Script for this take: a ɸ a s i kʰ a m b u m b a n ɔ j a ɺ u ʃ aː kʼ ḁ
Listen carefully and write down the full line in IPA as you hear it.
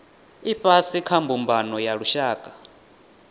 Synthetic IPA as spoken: i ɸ a s i kʰ a m b u m b a n ɔ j a ɺ u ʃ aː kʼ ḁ